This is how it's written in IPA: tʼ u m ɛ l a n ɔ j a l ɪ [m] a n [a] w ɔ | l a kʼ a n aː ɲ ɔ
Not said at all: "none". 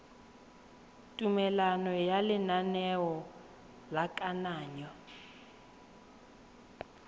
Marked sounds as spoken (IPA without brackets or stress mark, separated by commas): n, ɛ